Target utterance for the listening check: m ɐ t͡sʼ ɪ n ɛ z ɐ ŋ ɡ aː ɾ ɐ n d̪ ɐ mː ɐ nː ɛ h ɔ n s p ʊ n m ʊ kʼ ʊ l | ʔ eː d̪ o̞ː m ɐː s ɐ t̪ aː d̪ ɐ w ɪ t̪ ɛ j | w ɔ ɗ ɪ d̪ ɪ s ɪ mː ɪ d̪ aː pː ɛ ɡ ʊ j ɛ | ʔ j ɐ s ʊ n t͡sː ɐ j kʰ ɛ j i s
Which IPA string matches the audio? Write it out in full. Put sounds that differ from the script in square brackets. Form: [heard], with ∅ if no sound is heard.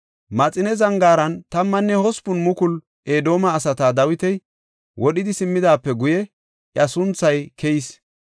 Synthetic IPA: m ɐ t͡sʼ ɪ n ɛ z ɐ ŋ ɡ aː ɾ ɐ n [t̪] ɐ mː ɐ nː ɛ h ɔ [∅] s p ʊ n m ʊ [k] ʊ l | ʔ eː d̪ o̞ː m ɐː s ɐ t̪ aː d̪ ɐ w ɪ t̪ ɛ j | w ɔ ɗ ɪ d̪ ɪ s ɪ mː ɪ d̪ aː pː ɛ ɡ ʊ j ɛ | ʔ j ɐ s ʊ n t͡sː ɐ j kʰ ɛ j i s